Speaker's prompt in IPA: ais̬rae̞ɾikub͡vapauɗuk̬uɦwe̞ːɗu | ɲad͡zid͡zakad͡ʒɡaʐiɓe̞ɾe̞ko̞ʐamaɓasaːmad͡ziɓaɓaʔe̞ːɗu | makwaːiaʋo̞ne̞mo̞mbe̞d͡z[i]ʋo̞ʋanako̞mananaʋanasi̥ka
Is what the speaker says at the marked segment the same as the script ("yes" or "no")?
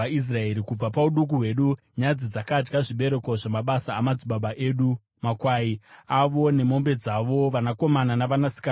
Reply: no